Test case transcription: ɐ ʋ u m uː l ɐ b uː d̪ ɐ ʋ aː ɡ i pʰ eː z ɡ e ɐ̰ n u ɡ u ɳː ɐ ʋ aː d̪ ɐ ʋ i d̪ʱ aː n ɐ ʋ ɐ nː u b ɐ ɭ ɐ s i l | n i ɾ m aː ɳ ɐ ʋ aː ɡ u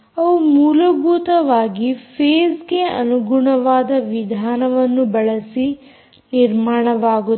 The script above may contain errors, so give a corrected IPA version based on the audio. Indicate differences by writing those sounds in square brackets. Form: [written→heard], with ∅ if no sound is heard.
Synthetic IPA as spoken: ɐ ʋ u m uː l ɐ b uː [d̪→t̪] ɐ ʋ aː ɡ i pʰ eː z ɡ e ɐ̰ n u ɡ u [ɳː→ɳ] ɐ ʋ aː d̪ ɐ ʋ i d̪ʱ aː n ɐ ʋ ɐ nː u b ɐ ɭ ɐ s i [l→∅] | n i ɾ m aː ɳ ɐ ʋ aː ɡ u